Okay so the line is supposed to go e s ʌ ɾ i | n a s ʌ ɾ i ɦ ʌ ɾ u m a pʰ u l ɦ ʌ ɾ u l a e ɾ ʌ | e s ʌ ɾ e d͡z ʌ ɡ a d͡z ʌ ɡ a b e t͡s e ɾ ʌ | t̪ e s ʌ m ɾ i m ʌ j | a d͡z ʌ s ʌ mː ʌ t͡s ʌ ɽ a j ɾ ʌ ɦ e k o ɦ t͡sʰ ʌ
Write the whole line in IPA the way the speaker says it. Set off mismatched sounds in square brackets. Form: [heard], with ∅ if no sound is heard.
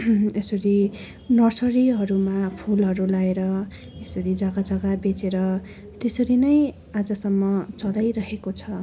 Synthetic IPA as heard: e s ʌ ɾ i | n [ʌ] s ʌ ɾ i ɦ ʌ ɾ u m a pʰ u l ɦ ʌ ɾ u l a e ɾ ʌ | e s ʌ ɾ [i] d͡z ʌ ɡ a d͡z ʌ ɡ a b e t͡s e ɾ ʌ | t̪ e s ʌ [∅] ɾ i [n] ʌ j | a d͡z ʌ s ʌ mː ʌ t͡s ʌ [l] a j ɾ ʌ ɦ e k o [∅] t͡sʰ ʌ